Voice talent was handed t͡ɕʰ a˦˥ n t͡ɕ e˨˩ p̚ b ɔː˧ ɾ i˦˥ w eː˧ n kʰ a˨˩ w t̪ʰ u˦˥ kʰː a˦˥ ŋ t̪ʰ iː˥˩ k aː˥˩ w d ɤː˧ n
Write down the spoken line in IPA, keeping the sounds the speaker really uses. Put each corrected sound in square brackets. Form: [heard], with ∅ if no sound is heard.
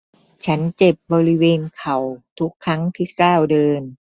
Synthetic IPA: t͡ɕʰ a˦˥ n t͡ɕ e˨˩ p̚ b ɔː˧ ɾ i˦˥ w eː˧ n kʰ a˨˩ w t̪ʰ u˦˥ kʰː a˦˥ ŋ t̪ʰ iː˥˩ k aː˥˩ w d ɤː˧ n